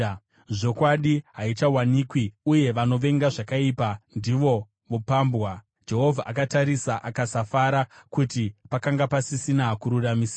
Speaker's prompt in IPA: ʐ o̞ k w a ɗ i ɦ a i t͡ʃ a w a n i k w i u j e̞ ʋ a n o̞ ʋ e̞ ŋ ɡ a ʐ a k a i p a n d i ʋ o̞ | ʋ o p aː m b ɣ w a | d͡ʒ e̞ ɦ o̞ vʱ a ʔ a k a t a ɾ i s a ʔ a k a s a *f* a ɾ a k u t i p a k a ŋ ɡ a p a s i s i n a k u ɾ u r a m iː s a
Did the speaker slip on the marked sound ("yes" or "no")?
no